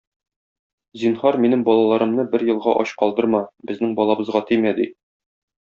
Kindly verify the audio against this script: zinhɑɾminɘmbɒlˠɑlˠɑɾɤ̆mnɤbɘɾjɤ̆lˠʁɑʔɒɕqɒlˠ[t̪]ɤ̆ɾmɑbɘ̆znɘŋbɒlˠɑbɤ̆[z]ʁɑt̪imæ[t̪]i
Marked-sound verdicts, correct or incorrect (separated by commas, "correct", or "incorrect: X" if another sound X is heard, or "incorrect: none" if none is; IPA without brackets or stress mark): incorrect: d̪, correct, incorrect: d̪